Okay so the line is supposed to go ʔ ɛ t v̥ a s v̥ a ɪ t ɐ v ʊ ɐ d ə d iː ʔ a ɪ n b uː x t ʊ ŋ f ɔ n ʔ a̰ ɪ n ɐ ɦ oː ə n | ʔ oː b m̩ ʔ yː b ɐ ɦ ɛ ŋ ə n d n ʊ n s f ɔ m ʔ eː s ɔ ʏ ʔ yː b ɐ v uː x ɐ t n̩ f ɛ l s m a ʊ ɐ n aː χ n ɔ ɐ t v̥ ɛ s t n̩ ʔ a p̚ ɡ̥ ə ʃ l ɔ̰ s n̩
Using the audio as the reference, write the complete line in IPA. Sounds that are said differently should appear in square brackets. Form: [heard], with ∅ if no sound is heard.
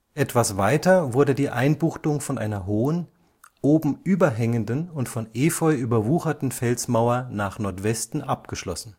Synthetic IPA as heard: ʔ ɛ t v̥ a s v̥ a ɪ t ɐ v ʊ ɐ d ə d iː ʔ a ɪ n b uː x t ʊ ŋ f ɔ n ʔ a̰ ɪ n ɐ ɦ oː ə n | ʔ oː b m̩ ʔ yː b ɐ ɦ ɛ ŋ ə n d n ʊ n [t] f ɔ [n] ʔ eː [f] ɔ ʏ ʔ yː b ɐ v uː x ɐ t n̩ f ɛ l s m a ʊ ɐ n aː χ n ɔ ɐ t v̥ ɛ s t n̩ ʔ a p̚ ɡ̥ ə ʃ l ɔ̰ s n̩